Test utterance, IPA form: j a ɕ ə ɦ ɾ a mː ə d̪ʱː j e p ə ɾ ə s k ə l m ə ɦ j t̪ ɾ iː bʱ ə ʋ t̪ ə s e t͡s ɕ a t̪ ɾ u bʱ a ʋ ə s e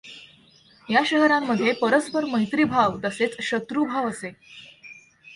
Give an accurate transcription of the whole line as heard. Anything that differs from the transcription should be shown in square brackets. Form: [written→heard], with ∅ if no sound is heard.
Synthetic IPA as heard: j a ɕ ə ɦ ɾ a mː ə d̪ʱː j e p ə ɾ ə s [k→p] ə [l→ɾ] m ə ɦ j t̪ ɾ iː bʱ [ə→a] ʋ t̪ ə s e t͡s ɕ [a→ə] t̪ ɾ u bʱ a ʋ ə s e

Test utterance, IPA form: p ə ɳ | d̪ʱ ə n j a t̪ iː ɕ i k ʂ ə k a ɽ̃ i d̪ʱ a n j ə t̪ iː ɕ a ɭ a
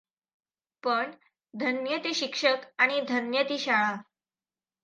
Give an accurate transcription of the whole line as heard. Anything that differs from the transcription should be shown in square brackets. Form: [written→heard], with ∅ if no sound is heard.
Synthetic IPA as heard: p ə ɳ | d̪ʱ ə n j [a→ə] t̪ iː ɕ i k ʂ ə k a ɽ̃ i d̪ʱ [a→ə] n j ə t̪ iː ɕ a ɭ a

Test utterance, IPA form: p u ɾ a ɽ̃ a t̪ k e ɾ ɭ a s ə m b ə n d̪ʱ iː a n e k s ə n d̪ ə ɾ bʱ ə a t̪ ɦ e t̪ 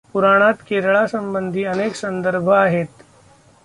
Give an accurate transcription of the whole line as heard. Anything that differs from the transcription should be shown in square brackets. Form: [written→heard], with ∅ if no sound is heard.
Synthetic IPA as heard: p u ɾ a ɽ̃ a t̪ k e ɾ ɭ a s ə m b ə n d̪ʱ iː [a→ə] n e k s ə n d̪ ə ɾ bʱ ə a [t̪→∅] ɦ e t̪

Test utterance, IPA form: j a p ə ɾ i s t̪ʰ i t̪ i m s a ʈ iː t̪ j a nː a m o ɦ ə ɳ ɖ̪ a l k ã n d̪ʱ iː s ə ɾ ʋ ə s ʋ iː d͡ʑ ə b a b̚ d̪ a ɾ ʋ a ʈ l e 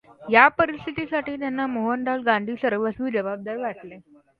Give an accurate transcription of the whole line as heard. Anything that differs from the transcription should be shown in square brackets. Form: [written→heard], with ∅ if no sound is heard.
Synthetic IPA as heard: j a p ə ɾ i s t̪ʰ i t̪ i [m→∅] s a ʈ iː t̪ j a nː a m o ɦ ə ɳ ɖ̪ a l [k→ɡ] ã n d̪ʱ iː s ə ɾ ʋ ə s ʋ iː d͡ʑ ə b a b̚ d̪ a ɾ ʋ a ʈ l e

